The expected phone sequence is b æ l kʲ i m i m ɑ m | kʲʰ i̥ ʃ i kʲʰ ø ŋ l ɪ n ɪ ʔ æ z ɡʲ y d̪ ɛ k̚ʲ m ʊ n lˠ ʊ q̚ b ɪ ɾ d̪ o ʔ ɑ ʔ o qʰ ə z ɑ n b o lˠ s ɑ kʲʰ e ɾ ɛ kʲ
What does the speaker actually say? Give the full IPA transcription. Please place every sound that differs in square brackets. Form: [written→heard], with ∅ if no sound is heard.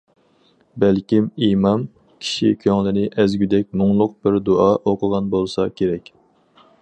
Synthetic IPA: b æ l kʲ i m i m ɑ m | kʲʰ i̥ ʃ i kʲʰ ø ŋ l ɪ n ɪ ʔ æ z ɡʲ y d̪ ɛ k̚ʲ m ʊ [n→ŋ] lˠ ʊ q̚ b ɪ ɾ d̪ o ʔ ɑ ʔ o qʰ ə [z→ʁ] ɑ n b o lˠ s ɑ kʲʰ e ɾ ɛ kʲ